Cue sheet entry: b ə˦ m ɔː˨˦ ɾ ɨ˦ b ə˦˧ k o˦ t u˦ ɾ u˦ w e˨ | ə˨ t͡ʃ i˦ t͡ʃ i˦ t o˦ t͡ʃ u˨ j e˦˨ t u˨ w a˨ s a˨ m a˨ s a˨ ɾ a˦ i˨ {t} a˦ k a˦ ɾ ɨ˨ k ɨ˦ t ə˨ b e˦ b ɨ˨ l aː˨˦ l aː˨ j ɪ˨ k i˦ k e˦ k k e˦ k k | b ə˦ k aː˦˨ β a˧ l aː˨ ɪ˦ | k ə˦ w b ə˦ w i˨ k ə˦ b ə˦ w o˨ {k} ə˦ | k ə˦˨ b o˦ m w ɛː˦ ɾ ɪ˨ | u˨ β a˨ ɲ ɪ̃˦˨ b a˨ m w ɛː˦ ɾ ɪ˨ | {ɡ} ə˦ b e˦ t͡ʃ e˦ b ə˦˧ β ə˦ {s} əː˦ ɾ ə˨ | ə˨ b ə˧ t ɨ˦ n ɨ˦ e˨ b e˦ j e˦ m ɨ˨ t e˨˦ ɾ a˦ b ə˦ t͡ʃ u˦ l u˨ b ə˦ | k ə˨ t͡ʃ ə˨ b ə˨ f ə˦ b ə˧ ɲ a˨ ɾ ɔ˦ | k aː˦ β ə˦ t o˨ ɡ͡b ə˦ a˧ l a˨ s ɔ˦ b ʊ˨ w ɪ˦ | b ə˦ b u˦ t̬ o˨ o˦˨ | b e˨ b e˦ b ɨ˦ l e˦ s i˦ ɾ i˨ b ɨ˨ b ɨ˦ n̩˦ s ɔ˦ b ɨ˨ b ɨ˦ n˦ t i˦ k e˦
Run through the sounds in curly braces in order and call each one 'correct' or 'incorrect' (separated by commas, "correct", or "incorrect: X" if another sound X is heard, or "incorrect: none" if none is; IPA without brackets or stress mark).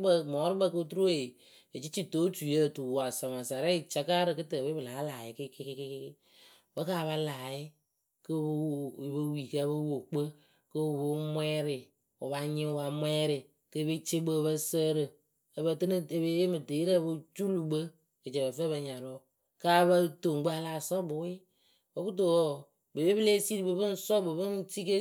incorrect: t͡ʃ, incorrect: k͡p, incorrect: k, correct